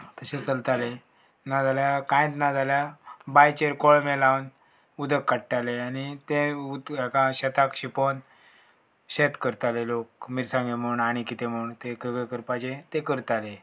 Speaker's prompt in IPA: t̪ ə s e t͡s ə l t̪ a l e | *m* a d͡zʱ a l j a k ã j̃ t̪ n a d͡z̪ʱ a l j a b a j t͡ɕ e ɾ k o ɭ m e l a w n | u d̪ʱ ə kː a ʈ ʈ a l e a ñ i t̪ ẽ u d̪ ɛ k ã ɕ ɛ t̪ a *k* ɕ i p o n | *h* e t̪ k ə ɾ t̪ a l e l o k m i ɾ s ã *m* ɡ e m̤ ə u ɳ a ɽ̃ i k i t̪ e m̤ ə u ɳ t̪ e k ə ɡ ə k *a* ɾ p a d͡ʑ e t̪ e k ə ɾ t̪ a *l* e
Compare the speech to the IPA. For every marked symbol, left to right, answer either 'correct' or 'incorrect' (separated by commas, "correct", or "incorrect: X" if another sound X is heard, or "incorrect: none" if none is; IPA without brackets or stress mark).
incorrect: n, correct, incorrect: ɕ, incorrect: ŋ, incorrect: ə, correct